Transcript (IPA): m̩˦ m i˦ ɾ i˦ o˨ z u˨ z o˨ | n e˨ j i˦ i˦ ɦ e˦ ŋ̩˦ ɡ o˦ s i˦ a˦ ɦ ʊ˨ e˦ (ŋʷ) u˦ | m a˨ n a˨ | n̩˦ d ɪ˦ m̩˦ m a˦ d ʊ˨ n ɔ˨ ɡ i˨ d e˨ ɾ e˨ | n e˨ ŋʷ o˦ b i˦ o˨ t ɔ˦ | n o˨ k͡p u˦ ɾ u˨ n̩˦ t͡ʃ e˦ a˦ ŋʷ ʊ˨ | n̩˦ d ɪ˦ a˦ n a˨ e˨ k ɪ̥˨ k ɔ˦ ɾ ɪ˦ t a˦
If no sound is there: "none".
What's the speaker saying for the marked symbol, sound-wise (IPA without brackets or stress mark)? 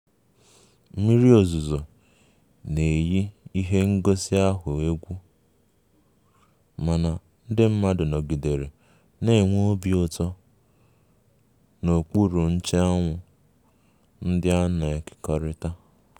ɡʷ